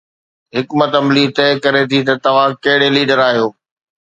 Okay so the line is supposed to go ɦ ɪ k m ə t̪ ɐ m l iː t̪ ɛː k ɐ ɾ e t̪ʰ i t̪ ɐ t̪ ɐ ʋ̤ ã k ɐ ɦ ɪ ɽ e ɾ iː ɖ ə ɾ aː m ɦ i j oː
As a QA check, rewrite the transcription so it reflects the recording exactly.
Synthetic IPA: ɦ ɪ k m ə t̪ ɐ m l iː t̪ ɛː k ɐ ɾ e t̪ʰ i t̪ ɐ t̪ ɐ ʋ̤ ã k ɐ ɦ ɪ ɽ e l iː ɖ ə ɾ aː ɦ i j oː